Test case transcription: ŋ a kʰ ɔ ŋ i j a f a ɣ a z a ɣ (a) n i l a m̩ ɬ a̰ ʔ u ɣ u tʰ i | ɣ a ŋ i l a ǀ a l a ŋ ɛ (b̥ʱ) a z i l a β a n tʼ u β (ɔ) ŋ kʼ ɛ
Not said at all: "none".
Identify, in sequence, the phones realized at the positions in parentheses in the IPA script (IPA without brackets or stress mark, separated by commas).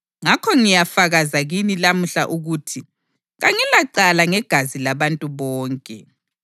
i, ɡ̥ʱ, ɔː